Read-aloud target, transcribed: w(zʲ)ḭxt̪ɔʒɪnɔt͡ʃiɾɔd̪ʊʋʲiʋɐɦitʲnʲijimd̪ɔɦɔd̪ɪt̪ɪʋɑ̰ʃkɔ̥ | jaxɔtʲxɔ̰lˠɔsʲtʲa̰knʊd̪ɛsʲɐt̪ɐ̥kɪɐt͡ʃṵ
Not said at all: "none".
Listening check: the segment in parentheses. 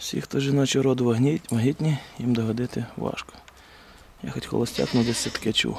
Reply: sʲ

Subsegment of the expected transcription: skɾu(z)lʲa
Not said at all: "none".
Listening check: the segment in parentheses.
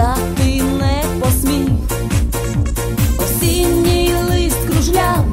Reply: ʒ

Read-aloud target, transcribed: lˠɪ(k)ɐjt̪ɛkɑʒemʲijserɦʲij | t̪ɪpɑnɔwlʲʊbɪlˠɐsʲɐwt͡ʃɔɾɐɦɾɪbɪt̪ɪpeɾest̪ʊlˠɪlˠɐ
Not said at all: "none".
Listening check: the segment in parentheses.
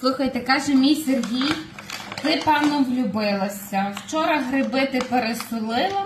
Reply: x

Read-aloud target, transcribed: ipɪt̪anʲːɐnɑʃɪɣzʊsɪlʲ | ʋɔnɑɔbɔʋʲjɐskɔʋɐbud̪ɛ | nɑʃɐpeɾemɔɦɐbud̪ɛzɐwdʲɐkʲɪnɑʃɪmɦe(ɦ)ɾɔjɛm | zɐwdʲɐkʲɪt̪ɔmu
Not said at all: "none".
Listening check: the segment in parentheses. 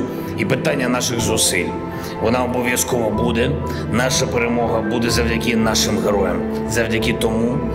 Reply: none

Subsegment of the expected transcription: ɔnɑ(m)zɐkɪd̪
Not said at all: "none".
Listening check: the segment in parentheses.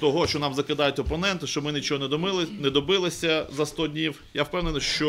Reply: m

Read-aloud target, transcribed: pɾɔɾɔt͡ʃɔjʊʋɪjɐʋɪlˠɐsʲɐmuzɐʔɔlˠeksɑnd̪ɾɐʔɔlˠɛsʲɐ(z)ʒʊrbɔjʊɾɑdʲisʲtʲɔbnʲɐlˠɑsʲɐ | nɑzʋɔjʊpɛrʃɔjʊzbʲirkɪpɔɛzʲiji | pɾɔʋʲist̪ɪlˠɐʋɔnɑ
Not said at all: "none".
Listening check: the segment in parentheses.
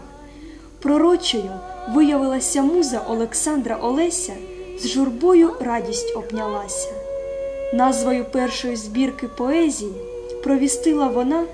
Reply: z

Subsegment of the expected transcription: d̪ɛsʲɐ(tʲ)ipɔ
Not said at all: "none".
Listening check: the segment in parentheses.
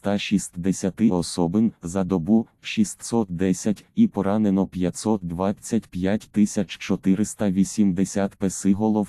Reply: tʲ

